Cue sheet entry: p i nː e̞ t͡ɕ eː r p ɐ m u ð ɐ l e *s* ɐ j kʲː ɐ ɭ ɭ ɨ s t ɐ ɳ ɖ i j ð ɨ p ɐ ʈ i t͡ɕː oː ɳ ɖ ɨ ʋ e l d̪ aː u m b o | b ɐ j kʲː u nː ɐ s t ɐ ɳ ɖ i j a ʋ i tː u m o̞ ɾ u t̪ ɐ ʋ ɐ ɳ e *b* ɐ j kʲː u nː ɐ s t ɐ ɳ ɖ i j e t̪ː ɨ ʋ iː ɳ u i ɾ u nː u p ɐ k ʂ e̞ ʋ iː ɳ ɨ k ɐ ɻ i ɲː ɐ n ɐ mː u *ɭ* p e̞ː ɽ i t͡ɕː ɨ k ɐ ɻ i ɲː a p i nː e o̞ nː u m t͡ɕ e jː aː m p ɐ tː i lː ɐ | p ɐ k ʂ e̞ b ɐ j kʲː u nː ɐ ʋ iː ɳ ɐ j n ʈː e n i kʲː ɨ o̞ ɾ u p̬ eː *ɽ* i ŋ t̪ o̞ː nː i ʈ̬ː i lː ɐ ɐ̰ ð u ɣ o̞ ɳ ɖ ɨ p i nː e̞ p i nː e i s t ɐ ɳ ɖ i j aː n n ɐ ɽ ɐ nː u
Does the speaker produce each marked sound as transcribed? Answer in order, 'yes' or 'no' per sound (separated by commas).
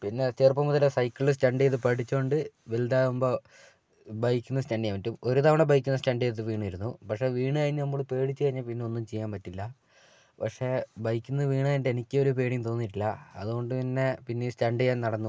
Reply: yes, yes, yes, yes